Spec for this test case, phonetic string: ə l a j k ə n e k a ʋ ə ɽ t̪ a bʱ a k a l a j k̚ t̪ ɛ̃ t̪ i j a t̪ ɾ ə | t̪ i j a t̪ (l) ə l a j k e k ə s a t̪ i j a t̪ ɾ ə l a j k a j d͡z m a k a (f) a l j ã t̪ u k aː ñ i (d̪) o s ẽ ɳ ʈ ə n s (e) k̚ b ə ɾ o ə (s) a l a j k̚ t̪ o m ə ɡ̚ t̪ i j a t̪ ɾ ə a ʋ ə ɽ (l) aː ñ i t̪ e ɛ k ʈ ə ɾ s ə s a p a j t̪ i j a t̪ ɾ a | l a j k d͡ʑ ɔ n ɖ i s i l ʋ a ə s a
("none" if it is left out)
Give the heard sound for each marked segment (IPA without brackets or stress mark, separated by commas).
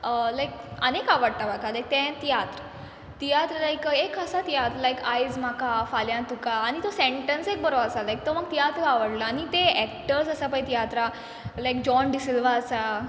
ɾ, f, t̪, e, s, l